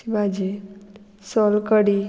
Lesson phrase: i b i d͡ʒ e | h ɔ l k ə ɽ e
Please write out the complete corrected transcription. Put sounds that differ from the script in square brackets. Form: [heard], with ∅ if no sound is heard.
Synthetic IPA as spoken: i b [a] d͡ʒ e | [s] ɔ l k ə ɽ [i]